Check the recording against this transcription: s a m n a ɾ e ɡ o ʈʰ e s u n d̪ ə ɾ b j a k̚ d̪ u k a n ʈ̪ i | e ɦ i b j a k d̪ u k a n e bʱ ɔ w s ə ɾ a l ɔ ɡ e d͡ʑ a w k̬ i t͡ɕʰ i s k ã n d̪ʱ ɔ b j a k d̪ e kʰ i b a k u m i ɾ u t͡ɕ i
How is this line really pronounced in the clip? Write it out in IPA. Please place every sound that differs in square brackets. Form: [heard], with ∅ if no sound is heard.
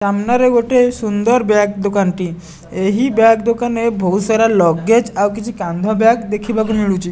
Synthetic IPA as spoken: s a m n a ɾ e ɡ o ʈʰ e s u n d̪ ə ɾ b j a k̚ d̪ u k a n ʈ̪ i | e ɦ i b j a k d̪ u k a n e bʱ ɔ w s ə ɾ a l ɔ ɡ e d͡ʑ a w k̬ i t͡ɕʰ i [∅] k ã n d̪ʱ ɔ b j a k d̪ e kʰ i b a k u m i [ɭ] u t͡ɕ i